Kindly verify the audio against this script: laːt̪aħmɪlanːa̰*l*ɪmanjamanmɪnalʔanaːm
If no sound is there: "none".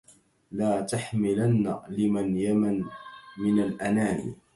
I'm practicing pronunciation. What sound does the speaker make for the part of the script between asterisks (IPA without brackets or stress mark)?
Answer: l